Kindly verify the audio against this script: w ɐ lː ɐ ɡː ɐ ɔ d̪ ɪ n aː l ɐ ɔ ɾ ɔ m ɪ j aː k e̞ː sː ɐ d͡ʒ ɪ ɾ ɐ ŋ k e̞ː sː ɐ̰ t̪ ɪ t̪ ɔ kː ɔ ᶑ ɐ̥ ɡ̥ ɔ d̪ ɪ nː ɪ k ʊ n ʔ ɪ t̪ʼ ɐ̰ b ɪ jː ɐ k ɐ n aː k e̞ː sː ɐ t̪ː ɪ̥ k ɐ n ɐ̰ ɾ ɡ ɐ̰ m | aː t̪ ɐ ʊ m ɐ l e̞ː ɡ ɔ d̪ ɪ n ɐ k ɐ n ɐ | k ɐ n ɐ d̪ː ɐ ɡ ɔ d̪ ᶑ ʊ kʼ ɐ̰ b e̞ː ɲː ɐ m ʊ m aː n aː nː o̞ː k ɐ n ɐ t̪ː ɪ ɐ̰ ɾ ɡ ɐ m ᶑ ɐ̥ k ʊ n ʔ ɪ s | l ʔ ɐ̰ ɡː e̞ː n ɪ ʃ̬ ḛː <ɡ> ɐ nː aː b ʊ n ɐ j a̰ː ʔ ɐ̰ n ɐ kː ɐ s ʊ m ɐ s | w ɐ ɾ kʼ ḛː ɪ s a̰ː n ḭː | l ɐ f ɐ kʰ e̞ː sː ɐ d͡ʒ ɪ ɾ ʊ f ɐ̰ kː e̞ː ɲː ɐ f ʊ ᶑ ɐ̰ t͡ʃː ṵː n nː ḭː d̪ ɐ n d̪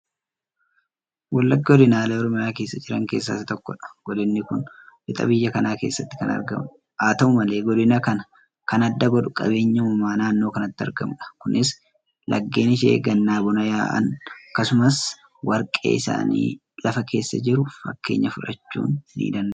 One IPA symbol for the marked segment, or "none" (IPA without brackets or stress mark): ɡ